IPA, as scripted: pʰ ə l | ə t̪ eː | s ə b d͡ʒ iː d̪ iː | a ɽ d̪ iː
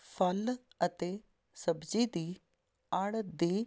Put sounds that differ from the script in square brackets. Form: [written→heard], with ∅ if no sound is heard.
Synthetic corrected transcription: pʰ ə l | ə t̪ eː | s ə b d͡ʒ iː d̪ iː | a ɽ d̪ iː